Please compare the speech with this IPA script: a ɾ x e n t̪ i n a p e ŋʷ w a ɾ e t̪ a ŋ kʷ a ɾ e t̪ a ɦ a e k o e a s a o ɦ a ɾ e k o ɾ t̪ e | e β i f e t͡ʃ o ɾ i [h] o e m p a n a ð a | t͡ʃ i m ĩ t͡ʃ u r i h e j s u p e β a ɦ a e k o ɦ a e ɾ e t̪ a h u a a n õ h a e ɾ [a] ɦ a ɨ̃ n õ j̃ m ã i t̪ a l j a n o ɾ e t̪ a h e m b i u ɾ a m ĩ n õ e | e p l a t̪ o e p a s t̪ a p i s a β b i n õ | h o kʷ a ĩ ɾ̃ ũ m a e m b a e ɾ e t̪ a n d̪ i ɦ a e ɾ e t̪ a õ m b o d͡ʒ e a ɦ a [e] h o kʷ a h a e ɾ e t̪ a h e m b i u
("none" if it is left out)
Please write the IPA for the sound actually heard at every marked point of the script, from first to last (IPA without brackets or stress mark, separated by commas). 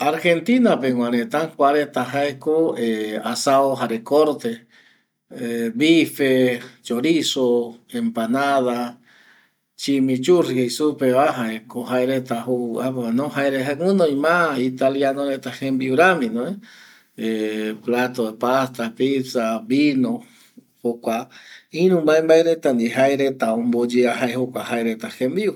s, e, e